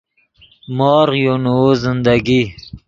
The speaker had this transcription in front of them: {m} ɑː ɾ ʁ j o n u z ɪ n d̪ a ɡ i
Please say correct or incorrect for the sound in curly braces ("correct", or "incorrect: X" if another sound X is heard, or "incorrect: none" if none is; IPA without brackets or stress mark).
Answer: correct